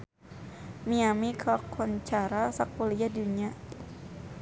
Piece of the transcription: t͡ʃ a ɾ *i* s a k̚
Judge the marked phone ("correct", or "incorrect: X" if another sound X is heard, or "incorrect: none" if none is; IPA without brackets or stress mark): incorrect: a